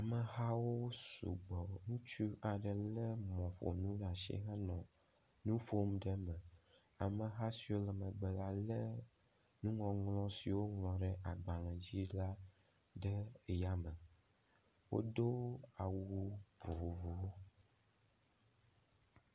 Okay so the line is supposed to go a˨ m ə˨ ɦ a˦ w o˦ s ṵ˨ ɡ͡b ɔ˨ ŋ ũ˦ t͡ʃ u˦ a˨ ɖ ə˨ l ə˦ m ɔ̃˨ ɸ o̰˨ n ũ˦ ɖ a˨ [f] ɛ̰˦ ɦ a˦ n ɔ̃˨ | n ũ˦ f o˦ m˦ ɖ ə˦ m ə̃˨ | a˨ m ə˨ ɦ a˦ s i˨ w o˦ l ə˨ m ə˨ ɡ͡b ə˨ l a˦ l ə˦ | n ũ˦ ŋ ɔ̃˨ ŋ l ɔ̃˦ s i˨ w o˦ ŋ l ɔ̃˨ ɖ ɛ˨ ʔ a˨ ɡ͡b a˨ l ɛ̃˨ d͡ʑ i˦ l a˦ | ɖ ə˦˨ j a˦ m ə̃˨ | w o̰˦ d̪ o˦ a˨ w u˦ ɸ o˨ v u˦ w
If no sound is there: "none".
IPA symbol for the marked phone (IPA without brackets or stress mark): ʃ